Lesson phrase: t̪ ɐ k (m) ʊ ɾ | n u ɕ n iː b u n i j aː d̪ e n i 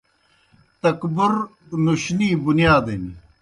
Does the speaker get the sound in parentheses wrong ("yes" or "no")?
yes